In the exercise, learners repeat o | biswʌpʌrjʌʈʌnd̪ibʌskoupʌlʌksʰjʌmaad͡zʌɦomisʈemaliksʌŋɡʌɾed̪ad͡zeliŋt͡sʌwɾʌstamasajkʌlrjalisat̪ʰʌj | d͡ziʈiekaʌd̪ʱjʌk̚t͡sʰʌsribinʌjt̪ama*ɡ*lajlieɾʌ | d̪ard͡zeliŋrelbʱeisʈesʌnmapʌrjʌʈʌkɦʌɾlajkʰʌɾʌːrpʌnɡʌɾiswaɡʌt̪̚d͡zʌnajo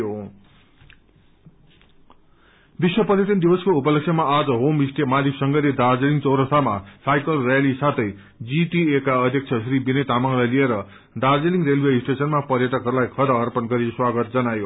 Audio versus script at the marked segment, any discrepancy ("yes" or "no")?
yes